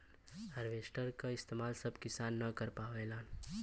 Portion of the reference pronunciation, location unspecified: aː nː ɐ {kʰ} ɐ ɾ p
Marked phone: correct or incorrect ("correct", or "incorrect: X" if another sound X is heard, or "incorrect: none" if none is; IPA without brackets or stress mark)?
incorrect: k